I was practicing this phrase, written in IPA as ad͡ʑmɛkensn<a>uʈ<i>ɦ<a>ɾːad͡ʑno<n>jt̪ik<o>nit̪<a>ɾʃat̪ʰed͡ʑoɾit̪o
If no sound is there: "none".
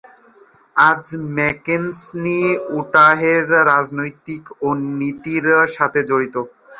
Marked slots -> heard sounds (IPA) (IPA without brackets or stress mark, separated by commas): i, a, e, none, o, i